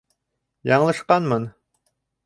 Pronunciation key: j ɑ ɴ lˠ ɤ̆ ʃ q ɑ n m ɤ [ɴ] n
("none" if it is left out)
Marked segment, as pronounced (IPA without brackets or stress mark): none